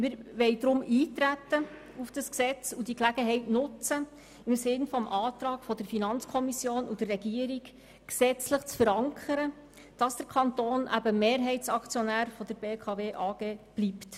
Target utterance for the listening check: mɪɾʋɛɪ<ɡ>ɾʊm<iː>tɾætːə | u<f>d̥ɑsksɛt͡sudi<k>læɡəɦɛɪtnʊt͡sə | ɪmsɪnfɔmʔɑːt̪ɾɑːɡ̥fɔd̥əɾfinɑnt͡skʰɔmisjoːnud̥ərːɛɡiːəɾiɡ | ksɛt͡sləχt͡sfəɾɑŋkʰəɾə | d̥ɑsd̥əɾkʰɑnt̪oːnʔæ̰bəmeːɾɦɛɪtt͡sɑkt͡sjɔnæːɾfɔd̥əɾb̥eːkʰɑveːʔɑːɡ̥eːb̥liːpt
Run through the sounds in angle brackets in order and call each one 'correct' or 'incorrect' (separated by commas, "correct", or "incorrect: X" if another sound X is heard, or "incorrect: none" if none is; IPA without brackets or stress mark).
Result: incorrect: d, correct, correct, correct